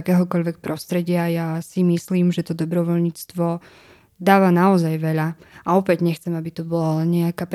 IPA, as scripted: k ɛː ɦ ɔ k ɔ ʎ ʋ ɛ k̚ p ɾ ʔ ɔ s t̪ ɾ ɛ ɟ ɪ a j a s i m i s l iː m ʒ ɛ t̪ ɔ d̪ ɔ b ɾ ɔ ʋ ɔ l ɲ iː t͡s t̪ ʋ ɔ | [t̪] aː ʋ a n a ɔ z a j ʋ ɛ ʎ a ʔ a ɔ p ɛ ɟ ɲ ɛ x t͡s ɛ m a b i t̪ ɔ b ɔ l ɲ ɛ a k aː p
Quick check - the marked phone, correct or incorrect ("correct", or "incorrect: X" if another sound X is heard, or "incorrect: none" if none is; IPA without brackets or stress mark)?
incorrect: d̪